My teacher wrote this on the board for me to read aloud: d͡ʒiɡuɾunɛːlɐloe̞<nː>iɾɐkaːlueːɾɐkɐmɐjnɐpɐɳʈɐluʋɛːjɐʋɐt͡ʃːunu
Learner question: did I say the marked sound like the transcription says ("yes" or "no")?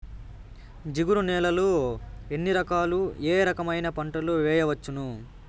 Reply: yes